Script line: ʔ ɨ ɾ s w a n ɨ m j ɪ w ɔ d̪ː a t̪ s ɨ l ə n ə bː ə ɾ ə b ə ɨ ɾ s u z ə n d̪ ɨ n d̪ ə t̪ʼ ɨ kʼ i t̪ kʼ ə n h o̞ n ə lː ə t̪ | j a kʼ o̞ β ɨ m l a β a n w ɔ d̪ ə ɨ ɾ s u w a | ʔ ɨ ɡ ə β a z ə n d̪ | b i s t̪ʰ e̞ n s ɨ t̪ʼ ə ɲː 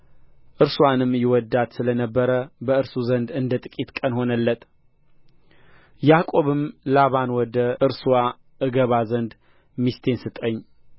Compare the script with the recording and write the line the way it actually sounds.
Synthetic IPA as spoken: ʔ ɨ ɾ s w a n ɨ m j ɪ w ɔ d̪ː a t̪ s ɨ l ə n ə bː ə ɾ ə b ə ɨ ɾ s u z ə n d̪ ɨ n d̪ ə t̪ʼ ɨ kʼ i t̪ kʼ ə n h o̞ n ə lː ə t̪ | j a kʼ o̞ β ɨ m l a β a n w ɔ d̪ ə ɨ ɾ s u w a | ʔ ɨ ɡ ə β a z ə n d̪ | m i s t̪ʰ e̞ n s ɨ t̪ʼ ə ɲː